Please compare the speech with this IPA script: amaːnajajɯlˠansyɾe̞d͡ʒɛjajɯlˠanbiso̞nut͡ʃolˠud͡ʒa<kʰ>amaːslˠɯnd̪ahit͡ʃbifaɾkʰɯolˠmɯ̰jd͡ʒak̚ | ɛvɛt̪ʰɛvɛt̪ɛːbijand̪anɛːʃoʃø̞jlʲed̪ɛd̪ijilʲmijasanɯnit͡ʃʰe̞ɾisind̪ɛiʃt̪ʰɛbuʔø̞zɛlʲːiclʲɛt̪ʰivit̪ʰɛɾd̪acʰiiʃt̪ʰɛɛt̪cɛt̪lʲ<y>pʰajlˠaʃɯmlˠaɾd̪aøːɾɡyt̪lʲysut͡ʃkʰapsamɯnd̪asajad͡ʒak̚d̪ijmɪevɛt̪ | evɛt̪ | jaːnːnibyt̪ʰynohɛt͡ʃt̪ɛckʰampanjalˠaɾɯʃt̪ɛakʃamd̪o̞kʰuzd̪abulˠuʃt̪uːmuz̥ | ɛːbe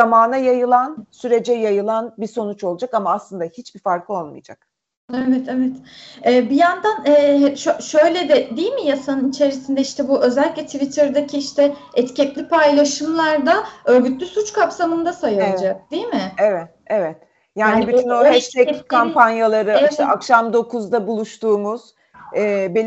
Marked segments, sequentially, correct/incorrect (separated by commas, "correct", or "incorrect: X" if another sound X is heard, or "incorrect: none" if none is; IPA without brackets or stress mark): incorrect: k, incorrect: i